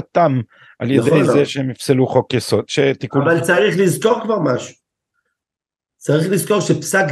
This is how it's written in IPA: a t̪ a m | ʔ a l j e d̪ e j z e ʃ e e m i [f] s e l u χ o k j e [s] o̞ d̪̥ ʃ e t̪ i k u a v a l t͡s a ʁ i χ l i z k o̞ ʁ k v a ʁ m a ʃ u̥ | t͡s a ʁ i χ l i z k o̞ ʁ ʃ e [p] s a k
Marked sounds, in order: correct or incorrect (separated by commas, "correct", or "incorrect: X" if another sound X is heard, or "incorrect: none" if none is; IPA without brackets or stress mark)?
correct, correct, correct